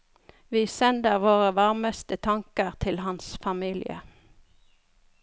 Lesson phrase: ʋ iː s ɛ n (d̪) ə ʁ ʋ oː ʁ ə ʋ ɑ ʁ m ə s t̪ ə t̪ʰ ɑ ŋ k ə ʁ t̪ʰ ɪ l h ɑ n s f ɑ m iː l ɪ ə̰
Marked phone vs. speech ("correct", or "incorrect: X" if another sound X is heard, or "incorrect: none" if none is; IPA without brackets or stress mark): correct